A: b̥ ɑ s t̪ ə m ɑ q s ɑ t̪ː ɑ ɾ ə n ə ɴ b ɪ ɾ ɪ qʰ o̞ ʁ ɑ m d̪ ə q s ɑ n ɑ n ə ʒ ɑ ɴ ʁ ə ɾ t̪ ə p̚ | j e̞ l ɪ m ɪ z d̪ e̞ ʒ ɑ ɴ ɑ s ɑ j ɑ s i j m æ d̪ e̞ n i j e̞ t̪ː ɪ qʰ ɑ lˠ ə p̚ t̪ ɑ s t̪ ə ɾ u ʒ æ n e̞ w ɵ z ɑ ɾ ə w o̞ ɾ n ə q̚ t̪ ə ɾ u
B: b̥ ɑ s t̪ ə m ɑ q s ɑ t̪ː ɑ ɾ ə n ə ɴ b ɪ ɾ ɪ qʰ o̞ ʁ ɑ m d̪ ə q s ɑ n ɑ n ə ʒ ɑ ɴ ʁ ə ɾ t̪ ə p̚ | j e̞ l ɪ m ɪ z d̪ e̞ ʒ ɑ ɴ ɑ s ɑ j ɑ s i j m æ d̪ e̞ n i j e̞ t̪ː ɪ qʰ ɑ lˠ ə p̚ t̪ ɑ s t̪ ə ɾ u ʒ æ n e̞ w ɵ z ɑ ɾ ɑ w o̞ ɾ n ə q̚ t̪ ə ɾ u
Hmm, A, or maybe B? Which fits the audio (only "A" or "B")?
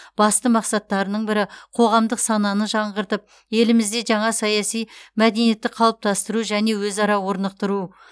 B